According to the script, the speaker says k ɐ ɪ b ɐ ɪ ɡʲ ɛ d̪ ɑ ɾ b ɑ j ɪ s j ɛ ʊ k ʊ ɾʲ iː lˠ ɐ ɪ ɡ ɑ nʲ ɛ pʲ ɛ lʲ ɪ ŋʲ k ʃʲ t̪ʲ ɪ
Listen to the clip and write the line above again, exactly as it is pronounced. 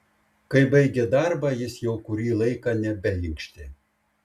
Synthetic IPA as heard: k ɐ ɪ b ɐ ɪ ɡʲ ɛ d̪ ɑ ɾ b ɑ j ɪ s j ɛ ʊ k ʊ ɾʲ iː lˠ ɐ ɪ k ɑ nʲ ɛ bʲ ɛ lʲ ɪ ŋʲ k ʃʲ t̪ʲ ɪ

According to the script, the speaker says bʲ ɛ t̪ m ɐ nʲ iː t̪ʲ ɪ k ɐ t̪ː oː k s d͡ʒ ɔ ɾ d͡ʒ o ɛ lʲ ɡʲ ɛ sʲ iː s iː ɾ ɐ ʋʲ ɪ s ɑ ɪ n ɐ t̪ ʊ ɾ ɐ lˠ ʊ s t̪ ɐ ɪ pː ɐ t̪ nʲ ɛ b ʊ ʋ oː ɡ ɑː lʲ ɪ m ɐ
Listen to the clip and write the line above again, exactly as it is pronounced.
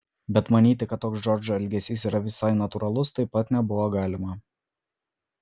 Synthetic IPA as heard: bʲ ɛ t̪ m ɐ nʲ iː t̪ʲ ɪ k ɐ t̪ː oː k s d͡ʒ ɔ ɾ d͡ʒ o ɛ lʲ ɡʲ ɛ sʲ iː s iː ɾ ɐ ʋʲ ɪ s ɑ ɪ n ɐ t̪ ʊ ɾ ɐ lˠ ʊ s t̪ ɐ ɪ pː ɐ t̪ nʲ ɛ b ʊ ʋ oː ɡ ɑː lʲ ɪ m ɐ

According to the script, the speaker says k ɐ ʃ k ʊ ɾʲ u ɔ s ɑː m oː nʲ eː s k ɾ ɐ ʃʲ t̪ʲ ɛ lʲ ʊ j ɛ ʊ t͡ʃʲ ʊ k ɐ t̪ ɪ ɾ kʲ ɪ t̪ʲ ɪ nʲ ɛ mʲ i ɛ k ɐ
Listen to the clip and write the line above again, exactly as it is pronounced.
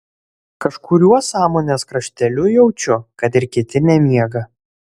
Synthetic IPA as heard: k ɐ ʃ k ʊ ɾʲ u ɔ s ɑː m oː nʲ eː s k ɾ ɐ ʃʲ t̪ʲ ɛ lʲ ʊ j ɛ ʊ t͡ʃʲ ʊ k ɐ t̪ ɪ ɾ kʲ ɪ t̪ʲ ɪ nʲ ɛ mʲ i ɛ ɡ ɐ

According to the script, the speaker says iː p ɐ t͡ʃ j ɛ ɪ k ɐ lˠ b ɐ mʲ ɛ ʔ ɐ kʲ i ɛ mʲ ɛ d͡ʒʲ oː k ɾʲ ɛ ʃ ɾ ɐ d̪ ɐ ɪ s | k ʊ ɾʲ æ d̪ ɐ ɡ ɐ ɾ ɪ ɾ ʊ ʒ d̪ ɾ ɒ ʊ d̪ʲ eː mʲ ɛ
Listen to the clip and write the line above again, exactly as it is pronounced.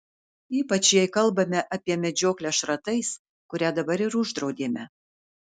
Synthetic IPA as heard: iː p ɐ t͡ʃ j ɛ ɪ k ɐ lˠ b ɐ mʲ ɛ ʔ ɐ pʲ i ɛ mʲ ɛ d͡ʒʲ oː k lʲ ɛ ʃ ɾ ɐ t̪ ɐ ɪ s | k ʊ ɾʲ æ d̪ ɐ b ɐ ɾ ɪ ɾ ʊ ʒ d̪ ɾ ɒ ʊ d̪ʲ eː mʲ ɛ

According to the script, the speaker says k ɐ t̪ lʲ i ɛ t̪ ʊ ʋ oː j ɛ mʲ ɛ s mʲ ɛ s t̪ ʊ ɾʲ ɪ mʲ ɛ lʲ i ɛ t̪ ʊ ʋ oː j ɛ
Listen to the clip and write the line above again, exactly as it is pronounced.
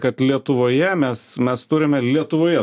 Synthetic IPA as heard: k ɐ t̪ lʲ i ɛ t̪ ʊ ʋ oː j ɛ mʲ ɛ s mʲ ɛ s t̪ ʊ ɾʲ ɪ mʲ ɛ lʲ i ɛ t̪ ʊ ʋ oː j ɛ

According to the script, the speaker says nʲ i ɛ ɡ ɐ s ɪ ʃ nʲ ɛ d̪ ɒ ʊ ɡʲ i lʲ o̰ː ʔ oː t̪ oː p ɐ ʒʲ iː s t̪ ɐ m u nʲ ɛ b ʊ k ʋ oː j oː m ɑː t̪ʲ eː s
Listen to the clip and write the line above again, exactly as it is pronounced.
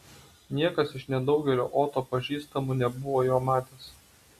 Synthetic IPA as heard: nʲ i ɛ k ɐ s ɪ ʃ nʲ ɛ d̪ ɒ ʊ ɡʲ ɛ lʲ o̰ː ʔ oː t̪ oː p ɐ ʒʲ iː s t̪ ɐ m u nʲ ɛ b ʊ ʋ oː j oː m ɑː t̪ʲ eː s

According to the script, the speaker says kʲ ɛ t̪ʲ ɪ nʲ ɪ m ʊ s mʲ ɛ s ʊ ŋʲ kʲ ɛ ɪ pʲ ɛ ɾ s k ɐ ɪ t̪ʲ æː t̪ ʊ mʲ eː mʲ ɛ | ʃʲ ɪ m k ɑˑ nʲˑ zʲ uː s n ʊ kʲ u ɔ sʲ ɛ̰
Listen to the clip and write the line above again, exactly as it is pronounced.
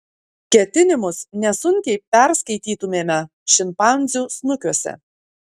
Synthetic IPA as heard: kʲ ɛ t̪ʲ ɪ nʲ ɪ m ʊ s nʲ ɛ s ʊ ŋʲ kʲ ɛ ɪ pʲ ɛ ɾ s k ɐ ɪ t̪ʲ iː t̪ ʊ mʲ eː mʲ ɛ | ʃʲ ɪ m p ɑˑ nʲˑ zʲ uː s n ʊ kʲ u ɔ sʲ ɛ̰

